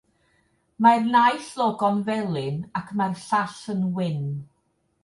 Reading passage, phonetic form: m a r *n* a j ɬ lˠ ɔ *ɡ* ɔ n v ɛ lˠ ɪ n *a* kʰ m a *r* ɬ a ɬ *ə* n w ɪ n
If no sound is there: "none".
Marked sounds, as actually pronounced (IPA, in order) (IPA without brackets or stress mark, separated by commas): n, ɡ, a, r, ə